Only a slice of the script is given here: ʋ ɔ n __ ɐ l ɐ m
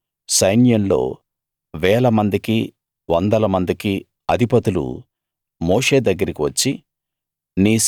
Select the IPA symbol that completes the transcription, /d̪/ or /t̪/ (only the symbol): d̪